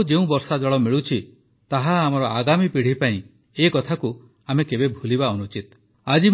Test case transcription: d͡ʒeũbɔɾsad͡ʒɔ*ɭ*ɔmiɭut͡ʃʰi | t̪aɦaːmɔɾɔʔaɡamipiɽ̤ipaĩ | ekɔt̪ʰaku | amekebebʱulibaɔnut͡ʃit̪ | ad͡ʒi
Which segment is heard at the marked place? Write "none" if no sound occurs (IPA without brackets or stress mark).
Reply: ɭ